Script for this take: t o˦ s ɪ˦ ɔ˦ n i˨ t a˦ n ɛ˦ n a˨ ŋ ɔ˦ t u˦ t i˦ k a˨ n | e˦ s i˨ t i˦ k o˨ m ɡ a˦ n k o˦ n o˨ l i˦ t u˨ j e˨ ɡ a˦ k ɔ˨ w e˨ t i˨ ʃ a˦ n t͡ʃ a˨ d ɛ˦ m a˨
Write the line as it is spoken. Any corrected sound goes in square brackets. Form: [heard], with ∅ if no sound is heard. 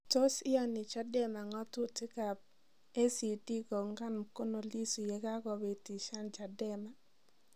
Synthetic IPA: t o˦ s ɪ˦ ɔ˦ n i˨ [t͡ʃ] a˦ [d] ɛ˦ [m] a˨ ŋ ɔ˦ t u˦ t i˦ k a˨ [∅] | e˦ s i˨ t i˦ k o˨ [ŋ] ɡ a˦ n k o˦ n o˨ l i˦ [s] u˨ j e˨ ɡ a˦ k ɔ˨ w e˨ t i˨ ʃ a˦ n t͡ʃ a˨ d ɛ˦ m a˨

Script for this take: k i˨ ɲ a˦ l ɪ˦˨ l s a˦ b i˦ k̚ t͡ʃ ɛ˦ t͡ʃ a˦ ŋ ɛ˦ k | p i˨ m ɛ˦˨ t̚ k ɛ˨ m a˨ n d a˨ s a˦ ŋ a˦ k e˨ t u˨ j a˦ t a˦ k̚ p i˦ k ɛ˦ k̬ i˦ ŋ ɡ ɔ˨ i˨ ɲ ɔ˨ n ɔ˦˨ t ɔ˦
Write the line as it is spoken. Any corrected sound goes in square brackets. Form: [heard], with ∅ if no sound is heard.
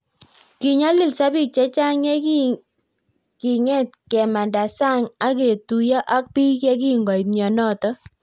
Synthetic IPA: k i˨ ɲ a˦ l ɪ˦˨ l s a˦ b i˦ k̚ t͡ʃ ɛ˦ t͡ʃ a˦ ŋ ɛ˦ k | [k] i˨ [ŋ] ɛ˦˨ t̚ k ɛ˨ m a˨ n d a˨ s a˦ ŋ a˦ k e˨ t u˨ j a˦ [ʔ] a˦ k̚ p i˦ k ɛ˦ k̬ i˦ ŋ ɡ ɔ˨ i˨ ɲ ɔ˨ n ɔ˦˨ t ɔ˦

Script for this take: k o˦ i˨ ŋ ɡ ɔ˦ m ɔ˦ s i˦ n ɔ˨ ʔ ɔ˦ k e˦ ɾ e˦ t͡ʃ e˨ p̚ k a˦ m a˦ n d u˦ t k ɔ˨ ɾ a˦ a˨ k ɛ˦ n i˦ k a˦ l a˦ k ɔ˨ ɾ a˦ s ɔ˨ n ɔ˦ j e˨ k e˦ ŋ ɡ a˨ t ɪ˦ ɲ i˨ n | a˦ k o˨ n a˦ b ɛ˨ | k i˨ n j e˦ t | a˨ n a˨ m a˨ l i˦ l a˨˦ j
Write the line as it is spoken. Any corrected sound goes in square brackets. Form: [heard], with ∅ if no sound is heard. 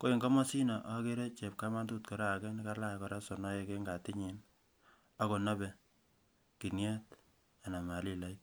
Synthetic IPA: k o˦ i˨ ŋ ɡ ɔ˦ m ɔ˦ s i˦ n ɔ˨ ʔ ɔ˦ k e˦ ɾ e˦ t͡ʃ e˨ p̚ k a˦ m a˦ n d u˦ t k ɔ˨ ɾ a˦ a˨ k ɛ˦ n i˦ k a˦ l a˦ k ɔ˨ ɾ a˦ s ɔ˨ n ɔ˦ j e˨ k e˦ ŋ ɡ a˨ t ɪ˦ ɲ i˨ n | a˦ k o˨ n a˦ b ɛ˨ | k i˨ n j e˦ t | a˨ n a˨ m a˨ l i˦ l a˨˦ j

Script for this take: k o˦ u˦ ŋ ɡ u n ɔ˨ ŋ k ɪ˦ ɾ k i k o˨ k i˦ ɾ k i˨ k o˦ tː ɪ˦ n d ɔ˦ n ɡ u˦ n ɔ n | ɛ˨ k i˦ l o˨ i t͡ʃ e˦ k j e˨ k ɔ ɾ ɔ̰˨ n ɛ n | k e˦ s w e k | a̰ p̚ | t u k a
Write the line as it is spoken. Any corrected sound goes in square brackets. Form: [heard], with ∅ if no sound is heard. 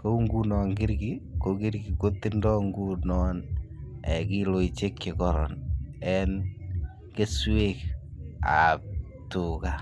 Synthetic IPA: k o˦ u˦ ŋ ɡ u n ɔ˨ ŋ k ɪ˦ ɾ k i k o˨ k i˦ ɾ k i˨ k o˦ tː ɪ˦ n d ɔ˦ [ŋ] ɡ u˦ n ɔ n | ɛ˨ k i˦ l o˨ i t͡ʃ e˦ k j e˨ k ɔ ɾ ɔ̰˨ n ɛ n | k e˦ s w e k | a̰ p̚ | t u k a

